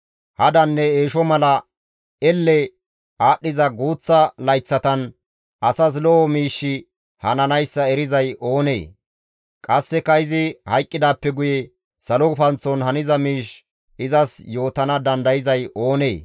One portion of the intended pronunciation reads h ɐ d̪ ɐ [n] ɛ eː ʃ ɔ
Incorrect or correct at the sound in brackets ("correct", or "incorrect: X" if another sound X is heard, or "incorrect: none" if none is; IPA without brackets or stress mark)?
incorrect: nː